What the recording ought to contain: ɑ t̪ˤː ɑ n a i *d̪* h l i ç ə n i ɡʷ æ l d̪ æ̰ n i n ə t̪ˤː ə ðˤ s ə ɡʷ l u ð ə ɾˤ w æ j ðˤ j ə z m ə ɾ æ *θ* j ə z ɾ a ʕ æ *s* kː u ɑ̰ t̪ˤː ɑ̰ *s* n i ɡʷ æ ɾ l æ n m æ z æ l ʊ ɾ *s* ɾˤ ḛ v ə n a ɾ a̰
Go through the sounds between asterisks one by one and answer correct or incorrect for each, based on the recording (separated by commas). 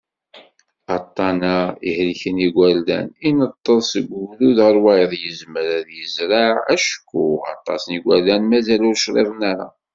incorrect, incorrect, incorrect, correct, incorrect